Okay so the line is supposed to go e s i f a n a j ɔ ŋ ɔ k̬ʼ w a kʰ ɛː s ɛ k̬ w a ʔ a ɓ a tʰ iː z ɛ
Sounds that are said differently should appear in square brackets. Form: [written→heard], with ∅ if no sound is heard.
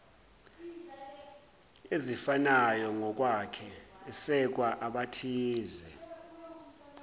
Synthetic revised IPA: e [s→z] i f a n a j ɔ ŋ ɔ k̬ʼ w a kʰ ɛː s ɛ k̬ w a ʔ a ɓ a tʰ iː z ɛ